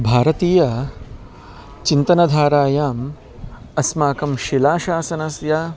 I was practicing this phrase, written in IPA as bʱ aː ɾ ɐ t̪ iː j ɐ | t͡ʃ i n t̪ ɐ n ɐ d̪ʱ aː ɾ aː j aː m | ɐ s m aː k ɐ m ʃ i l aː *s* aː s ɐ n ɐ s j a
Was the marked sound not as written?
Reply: yes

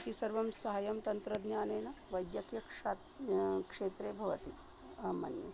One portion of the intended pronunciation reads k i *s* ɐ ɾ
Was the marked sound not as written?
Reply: no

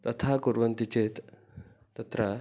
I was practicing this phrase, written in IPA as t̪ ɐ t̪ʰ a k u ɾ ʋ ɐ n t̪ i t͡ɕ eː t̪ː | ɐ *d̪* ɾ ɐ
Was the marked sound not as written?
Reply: yes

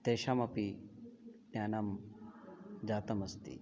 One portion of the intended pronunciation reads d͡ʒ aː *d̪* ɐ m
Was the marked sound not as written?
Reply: yes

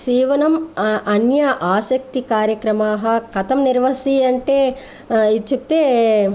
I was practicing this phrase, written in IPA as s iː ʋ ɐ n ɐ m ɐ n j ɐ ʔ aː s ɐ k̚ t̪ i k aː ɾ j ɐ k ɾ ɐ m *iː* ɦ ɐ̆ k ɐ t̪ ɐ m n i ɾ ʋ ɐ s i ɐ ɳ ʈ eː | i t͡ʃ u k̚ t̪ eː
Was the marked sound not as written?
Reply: yes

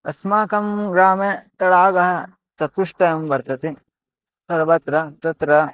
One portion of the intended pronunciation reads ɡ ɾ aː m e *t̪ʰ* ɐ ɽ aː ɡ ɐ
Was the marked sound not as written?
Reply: yes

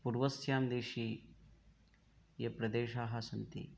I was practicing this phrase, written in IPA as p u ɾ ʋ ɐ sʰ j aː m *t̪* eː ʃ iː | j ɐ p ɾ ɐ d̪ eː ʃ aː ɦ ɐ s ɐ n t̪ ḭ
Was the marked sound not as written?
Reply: yes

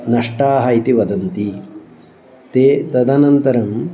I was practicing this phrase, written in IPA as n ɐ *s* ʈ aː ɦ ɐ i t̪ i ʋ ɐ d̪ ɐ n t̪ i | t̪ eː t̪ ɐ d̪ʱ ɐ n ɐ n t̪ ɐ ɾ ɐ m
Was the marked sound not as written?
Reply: yes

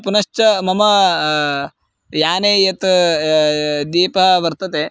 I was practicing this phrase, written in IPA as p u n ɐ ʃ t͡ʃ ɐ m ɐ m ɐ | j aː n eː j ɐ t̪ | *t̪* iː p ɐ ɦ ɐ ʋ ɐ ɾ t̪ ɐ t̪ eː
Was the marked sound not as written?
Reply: yes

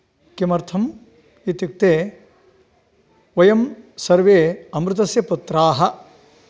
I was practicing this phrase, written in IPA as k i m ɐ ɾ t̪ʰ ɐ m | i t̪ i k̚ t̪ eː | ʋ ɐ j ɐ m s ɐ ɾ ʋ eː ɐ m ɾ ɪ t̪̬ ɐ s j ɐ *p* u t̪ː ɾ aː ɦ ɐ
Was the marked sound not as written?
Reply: no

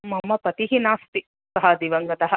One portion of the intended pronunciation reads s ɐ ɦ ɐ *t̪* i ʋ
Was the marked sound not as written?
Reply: yes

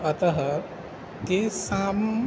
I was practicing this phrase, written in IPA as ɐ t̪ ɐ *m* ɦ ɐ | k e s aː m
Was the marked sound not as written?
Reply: yes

